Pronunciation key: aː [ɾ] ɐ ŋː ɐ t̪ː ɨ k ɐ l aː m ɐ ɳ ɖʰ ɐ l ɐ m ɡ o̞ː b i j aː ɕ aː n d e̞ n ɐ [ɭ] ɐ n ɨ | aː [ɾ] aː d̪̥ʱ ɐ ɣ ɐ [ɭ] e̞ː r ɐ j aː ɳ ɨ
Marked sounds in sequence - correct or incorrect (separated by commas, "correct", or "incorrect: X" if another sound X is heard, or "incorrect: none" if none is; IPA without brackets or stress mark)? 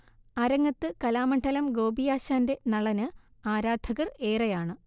correct, correct, correct, incorrect: r